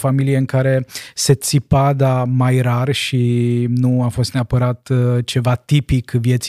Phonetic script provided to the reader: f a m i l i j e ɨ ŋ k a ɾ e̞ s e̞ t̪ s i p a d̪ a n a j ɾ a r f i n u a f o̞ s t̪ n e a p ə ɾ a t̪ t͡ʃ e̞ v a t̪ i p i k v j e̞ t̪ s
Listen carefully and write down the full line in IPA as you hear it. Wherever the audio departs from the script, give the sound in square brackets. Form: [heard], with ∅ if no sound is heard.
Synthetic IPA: f a m i l i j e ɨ ŋ k a ɾ e̞ s e̞ t̪ s i p a d̪ a [m] a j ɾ a r [ʃ] i n u a f o̞ s t̪ n e a p ə ɾ a t̪ t͡ʃ e̞ v a t̪ i p i k v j e̞ t̪ s